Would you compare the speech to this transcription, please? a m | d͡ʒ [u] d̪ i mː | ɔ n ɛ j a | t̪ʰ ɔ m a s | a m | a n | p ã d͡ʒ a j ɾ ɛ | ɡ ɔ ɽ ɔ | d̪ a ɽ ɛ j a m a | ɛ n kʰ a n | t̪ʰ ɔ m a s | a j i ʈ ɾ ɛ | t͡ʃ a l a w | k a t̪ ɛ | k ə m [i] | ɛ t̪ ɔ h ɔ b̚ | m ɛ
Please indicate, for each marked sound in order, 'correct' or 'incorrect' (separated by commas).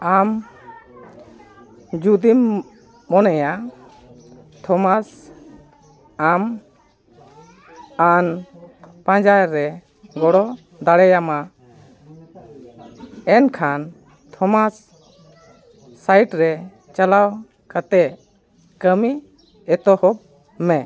correct, correct